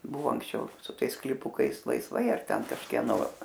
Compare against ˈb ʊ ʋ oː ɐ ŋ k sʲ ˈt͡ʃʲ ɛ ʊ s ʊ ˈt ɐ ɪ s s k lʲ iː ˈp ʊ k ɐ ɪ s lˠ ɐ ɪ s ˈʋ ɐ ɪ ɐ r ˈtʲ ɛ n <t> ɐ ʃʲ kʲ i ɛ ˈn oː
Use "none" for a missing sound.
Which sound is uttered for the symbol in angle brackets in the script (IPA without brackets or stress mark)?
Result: k